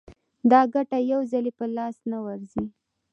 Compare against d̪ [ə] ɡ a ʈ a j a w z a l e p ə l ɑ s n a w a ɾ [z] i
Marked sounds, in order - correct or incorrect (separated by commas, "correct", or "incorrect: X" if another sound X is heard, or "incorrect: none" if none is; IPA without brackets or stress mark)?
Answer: incorrect: ɑ, correct